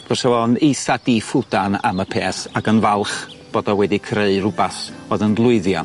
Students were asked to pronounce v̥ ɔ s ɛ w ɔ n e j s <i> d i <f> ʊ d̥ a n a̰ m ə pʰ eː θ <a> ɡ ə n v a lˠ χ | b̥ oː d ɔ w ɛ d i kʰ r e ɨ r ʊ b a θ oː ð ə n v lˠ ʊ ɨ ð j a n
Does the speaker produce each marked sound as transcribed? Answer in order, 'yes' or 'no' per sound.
no, yes, yes

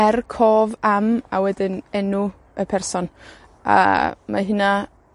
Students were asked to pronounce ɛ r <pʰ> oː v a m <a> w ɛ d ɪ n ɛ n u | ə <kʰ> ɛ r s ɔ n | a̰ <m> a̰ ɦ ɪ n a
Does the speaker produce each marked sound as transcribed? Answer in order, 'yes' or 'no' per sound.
no, yes, no, yes

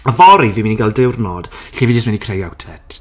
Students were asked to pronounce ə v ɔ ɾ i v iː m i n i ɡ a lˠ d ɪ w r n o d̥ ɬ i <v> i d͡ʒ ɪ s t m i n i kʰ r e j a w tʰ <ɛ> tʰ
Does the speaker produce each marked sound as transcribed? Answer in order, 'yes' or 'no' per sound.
yes, yes

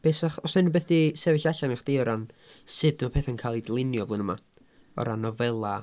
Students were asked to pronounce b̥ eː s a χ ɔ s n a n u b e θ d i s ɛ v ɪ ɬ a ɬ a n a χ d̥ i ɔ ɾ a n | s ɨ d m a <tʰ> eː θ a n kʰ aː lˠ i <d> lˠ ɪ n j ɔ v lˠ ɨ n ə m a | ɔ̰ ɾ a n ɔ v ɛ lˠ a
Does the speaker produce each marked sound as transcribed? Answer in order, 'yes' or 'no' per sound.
no, yes

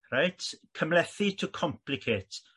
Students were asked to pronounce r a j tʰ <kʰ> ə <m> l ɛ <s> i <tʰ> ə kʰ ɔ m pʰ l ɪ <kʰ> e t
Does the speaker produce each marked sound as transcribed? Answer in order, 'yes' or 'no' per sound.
yes, yes, no, yes, yes

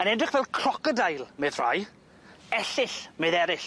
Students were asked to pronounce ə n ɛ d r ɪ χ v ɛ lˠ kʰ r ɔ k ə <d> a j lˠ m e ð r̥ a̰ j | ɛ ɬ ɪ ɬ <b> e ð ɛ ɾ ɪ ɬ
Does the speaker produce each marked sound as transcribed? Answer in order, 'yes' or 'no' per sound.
yes, no

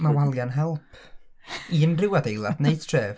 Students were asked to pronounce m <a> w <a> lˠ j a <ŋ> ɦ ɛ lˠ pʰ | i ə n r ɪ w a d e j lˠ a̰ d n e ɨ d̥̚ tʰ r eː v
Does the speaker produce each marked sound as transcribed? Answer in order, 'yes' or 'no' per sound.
yes, yes, no

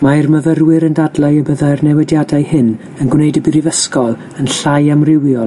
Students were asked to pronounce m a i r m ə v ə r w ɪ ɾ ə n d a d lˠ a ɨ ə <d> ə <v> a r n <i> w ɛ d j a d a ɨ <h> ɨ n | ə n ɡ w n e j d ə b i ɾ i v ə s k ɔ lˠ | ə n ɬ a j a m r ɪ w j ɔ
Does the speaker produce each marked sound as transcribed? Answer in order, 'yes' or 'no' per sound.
no, no, no, yes

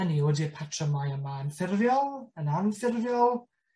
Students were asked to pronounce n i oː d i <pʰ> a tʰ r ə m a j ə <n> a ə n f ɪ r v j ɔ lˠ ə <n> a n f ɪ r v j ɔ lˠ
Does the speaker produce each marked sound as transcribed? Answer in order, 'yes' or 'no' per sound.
yes, no, yes

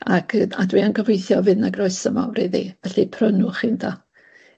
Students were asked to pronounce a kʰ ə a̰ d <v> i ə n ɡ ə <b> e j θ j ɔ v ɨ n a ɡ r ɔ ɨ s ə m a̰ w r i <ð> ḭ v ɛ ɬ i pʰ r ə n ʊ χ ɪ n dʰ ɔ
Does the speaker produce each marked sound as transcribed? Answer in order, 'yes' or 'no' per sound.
no, no, yes

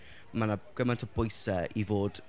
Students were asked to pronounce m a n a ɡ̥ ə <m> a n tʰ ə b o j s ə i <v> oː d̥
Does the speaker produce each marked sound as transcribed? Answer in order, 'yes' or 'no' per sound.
yes, yes

